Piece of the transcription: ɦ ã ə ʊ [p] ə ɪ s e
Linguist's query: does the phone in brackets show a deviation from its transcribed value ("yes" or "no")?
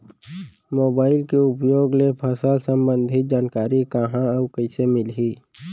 yes